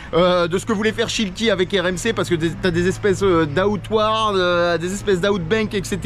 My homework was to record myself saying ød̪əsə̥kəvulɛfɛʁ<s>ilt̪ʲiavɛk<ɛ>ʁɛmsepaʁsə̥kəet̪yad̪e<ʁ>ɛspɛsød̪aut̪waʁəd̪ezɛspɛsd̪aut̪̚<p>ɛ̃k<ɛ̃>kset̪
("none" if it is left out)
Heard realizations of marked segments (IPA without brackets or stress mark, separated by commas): ʃ, ɛ, z, b, ɛ